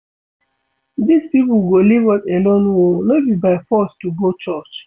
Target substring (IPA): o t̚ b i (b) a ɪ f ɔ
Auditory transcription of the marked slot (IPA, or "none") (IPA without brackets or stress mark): b